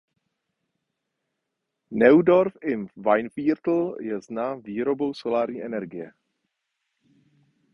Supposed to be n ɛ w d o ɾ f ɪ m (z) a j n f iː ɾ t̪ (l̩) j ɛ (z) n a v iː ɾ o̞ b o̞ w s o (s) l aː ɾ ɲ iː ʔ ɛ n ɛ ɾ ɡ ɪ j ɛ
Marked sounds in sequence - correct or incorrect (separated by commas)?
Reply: incorrect, correct, correct, incorrect